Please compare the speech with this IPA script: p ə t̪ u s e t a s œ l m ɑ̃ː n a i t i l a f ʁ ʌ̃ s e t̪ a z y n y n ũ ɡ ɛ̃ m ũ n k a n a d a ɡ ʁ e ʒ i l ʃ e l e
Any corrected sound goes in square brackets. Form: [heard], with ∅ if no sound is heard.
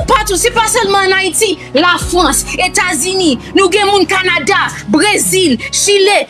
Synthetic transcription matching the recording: p [a] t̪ u s e [p] a s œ l m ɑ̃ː n a i t i l a f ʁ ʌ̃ s e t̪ a z y n [i] n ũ ɡ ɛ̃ m ũ n k a n a d a [b] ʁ e [z] i l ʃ [i] l e

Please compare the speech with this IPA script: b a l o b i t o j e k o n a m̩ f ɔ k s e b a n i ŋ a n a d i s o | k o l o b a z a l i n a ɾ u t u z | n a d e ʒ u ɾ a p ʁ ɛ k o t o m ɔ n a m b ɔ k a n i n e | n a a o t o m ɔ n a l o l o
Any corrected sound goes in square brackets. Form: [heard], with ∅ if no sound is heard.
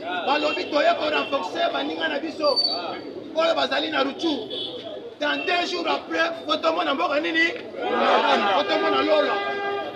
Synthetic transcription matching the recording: b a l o b i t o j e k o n a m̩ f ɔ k s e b a n i ŋ a n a [b] i s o | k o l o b a z a l i n a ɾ u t u [∅] | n a d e ʒ u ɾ a p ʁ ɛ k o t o m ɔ n a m b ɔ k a n i n [i] | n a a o t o m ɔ n a l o l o

